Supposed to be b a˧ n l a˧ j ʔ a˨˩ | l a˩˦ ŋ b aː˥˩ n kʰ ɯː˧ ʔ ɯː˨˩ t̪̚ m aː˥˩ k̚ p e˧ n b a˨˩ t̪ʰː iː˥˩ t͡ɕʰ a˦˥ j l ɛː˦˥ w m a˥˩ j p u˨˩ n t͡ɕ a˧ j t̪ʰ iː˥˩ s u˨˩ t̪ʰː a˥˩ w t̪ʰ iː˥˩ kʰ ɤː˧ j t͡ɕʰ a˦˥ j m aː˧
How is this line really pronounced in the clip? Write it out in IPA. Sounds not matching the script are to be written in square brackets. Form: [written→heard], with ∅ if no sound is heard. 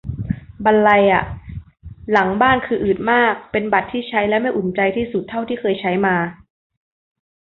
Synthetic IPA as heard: b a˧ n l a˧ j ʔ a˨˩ | l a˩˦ ŋ b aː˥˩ n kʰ ɯː˧ ʔ ɯː˨˩ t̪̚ m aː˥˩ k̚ p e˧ n b a˨˩ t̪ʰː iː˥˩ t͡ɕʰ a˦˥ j l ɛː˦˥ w m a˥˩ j [p→ʔ] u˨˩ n t͡ɕ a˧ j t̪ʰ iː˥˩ s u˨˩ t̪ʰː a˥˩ w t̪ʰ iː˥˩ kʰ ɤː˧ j t͡ɕʰ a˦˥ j m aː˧